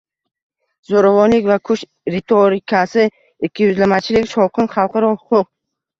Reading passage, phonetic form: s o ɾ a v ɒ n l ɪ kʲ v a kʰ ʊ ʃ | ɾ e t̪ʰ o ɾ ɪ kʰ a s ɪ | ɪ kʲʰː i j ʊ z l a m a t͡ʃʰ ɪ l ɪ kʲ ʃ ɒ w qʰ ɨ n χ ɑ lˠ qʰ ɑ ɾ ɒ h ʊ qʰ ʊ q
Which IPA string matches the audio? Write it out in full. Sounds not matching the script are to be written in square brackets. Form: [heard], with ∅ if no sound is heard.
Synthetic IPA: [z] o ɾ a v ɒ n l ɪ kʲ v a kʰ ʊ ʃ | ɾ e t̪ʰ o ɾ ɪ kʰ a s ɪ | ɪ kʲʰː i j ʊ z l a m a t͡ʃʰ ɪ l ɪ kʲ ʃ ɒ w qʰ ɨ n χ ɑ lˠ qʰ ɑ ɾ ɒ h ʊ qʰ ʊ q

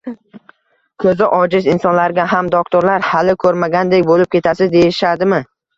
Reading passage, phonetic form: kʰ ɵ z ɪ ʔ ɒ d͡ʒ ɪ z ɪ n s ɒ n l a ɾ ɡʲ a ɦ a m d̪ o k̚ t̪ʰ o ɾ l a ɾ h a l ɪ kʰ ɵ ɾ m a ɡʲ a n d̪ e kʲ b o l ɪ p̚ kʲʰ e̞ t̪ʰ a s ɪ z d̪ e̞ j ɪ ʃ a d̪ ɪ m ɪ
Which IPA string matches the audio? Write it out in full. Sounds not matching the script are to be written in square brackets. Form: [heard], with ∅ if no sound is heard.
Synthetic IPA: kʰ ɵ z ɪ ʔ ɒ d͡ʒ ɪ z ɪ n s ɒ n l a ɾ ɡʲ a ɦ a m d̪ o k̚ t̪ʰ o ɾ l a ɾ h a l ɪ kʰ ɵ ɾ m a ɡʲ a n d̪ e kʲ b o l ɪ p̚ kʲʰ e̞ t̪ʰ a s ɪ z d̪ e̞ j ɪ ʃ a d̪ ɪ m ɪ

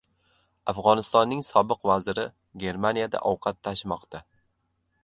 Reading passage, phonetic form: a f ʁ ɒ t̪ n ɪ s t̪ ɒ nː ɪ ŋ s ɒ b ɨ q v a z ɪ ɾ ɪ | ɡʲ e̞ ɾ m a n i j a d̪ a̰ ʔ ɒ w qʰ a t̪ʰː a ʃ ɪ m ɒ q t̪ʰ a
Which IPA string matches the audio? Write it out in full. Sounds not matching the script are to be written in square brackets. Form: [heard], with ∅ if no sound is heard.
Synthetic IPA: a f ʁ ɒ [∅] n ɪ s t̪ ɒ nː ɪ ŋ s ɒ b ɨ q v a z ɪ ɾ ɪ | ɡʲ e̞ ɾ m a n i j a d̪ a̰ ʔ ɒ w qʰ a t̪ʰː a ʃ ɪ m ɒ q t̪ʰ a

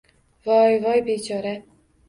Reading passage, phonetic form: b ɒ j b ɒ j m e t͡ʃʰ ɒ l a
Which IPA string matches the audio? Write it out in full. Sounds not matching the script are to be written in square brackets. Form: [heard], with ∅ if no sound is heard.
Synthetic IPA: [v] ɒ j [v] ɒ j [b] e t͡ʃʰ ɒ [ɾ] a

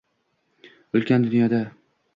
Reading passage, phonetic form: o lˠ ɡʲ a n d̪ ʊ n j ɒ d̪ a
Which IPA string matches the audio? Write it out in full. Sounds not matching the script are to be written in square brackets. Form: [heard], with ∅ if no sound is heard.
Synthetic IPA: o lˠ [kʲ] a n d̪ ʊ n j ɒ d̪ a

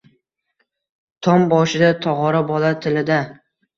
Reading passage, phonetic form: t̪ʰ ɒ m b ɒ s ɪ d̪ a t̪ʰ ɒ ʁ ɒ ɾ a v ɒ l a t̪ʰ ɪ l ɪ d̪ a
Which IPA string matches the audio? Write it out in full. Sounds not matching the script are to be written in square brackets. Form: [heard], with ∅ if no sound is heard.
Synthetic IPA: t̪ʰ ɒ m b ɒ [ʃ] ɪ d̪ a t̪ʰ ɒ ʁ ɒ ɾ a [b] ɒ l a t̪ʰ ɪ l ɪ d̪ a

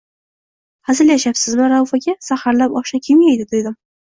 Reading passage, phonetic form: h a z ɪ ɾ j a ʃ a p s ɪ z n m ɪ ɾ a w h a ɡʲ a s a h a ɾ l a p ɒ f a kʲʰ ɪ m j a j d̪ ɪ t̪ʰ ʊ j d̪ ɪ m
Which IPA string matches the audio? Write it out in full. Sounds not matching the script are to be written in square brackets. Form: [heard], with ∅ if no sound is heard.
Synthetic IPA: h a z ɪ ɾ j a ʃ a p s ɪ z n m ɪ ɾ a w [f] a ɡʲ a s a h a ɾ l a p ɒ [ʃ] a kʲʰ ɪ m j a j d̪ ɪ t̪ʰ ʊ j d̪ ɪ m

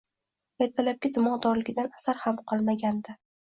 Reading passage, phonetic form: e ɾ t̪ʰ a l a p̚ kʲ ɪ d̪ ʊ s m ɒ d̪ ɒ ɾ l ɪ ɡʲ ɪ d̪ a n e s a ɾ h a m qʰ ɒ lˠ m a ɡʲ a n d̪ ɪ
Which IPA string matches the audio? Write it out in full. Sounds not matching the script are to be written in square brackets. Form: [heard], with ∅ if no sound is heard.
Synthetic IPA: e ɾ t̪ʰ a l a p̚ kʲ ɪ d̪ ʊ [∅] m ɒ d̪ ɒ ɾ l ɪ ɡʲ ɪ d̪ a n [a] s a ɾ h a m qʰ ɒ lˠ m a ɡʲ a n d̪ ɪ

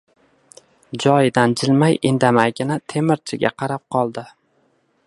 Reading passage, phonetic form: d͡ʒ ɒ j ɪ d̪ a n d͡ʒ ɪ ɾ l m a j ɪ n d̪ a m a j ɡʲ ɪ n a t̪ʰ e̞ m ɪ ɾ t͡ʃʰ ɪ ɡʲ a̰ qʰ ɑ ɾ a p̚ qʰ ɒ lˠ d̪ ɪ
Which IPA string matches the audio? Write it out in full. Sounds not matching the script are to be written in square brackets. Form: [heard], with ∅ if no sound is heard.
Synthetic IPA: d͡ʒ ɒ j ɪ d̪ a n d͡ʒ ɪ [∅] l m a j ɪ n d̪ a m a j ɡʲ ɪ n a t̪ʰ e̞ m ɪ ɾ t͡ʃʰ ɪ ɡʲ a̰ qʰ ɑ ɾ a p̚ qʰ ɒ lˠ d̪ ɪ

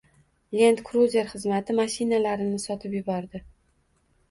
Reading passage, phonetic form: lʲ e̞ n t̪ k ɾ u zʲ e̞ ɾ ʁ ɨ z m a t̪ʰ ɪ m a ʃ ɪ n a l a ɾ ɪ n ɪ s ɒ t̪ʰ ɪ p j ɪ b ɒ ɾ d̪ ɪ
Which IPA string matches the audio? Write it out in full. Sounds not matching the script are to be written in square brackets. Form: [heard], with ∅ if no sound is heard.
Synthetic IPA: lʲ e̞ n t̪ k ɾ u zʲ e̞ ɾ [χ] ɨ z m a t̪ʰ ɪ m a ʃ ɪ n a l a ɾ ɪ n ɪ s ɒ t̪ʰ ɪ p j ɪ b ɒ ɾ d̪ ɪ

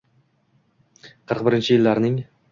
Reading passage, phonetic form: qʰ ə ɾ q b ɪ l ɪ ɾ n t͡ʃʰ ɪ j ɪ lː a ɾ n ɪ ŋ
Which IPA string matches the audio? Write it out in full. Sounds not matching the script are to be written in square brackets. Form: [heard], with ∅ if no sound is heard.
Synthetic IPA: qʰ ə ɾ q b ɪ [ɾ] ɪ [∅] n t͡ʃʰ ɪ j ɪ lː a ɾ n ɪ ŋ

